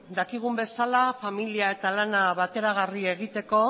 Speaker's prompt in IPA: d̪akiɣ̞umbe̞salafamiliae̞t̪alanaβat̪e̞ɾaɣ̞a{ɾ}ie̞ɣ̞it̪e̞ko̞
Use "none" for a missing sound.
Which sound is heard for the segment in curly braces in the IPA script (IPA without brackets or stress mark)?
r